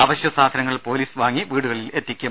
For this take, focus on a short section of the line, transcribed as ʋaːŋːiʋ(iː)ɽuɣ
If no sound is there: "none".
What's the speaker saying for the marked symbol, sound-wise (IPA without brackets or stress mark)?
iː